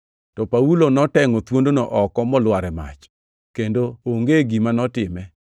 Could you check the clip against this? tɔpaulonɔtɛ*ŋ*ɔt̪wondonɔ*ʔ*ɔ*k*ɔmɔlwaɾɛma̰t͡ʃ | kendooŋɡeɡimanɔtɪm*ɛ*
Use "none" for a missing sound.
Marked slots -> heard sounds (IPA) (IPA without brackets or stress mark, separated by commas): ŋ, ʔ, k, ɛ